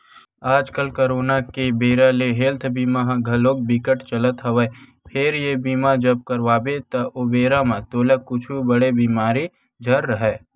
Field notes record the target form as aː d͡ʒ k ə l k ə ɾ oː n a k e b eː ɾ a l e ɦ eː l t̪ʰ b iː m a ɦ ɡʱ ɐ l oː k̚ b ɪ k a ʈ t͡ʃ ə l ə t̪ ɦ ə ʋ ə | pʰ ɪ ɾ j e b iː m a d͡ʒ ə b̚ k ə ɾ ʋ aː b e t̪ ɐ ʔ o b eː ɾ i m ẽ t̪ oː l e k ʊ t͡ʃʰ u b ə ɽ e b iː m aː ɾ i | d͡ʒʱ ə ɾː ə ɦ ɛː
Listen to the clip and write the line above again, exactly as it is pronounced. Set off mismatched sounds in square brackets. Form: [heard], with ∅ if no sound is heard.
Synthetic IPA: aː d͡ʒ k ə l k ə ɾ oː n a k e b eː ɾ a l e ɦ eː l t̪ʰ b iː m a ɦ ɡʱ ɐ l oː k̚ b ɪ k [ə] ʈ t͡ʃ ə l ə t̪ ɦ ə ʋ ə | pʰ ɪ ɾ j e b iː m a d͡ʒ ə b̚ k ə ɾ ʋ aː b e t̪ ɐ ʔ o b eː ɾ [a] m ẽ t̪ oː l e k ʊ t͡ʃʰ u b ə ɽ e b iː m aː ɾ i | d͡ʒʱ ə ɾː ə ɦ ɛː